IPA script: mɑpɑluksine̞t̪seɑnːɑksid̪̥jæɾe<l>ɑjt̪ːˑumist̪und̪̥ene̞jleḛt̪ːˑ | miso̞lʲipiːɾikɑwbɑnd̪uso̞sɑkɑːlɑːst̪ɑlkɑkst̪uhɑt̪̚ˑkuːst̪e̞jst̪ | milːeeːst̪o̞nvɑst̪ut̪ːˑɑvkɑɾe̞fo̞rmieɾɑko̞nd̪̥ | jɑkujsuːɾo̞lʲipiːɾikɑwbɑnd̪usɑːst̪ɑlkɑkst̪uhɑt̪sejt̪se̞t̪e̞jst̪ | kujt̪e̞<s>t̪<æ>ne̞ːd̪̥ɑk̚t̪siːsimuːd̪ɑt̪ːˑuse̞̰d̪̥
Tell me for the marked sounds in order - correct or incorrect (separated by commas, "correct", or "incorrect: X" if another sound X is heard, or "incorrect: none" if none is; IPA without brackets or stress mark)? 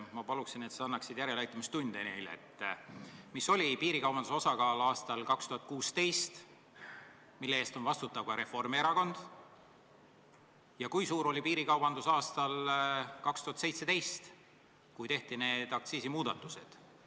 correct, incorrect: h, incorrect: i